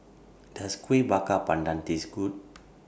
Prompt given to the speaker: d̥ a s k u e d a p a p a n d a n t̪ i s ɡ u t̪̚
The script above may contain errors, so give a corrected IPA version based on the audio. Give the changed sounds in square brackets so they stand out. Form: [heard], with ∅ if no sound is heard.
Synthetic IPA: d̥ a s k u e [b] a [k] a p a n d a n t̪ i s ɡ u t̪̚